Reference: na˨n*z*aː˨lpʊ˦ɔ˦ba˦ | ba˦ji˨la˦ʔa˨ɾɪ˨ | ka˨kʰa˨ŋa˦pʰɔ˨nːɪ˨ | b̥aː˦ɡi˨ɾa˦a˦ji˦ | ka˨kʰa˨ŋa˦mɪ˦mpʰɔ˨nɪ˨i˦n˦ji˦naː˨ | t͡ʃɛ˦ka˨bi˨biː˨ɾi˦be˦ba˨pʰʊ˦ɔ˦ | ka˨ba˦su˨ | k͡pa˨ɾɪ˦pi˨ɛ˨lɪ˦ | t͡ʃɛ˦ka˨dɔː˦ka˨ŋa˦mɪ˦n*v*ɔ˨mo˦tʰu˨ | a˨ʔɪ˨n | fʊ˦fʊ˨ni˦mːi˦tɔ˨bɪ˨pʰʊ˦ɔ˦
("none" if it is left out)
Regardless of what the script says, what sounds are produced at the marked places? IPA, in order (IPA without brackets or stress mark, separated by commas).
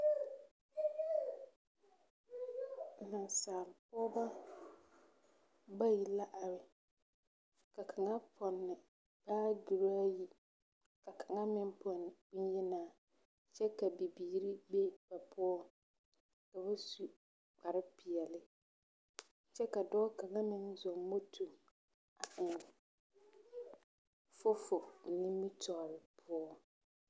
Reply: s, z